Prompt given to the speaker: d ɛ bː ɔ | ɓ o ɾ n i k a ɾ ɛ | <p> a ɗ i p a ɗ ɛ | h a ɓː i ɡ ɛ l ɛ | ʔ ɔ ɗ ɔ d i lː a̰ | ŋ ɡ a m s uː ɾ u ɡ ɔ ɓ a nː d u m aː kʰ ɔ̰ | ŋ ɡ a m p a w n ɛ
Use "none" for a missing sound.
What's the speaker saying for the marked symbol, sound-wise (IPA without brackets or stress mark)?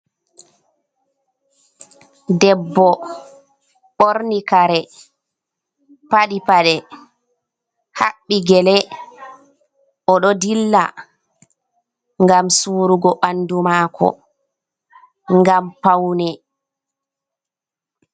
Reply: p